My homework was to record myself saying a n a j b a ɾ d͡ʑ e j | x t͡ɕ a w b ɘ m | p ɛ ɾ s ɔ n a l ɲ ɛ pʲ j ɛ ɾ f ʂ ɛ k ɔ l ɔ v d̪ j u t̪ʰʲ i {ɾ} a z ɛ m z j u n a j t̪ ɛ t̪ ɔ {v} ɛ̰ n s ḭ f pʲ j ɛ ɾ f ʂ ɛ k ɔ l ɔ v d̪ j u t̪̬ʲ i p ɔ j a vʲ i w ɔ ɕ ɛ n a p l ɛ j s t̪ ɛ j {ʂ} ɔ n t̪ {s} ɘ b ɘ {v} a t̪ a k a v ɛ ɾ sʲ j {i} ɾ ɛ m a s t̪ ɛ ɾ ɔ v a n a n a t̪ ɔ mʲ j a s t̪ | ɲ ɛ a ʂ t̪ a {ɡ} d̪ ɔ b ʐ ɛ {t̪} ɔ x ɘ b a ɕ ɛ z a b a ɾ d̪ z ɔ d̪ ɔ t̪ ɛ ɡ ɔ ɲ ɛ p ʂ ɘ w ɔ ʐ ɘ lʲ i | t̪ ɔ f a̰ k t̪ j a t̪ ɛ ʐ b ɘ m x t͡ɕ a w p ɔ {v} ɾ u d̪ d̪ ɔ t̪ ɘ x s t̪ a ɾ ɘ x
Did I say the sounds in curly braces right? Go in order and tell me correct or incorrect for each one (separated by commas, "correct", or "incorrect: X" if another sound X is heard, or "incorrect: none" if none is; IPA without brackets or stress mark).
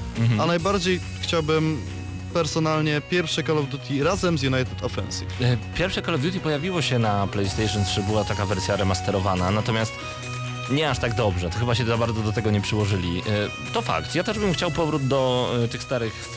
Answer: correct, incorrect: f, correct, incorrect: ʂ, incorrect: w, incorrect: a, correct, correct, correct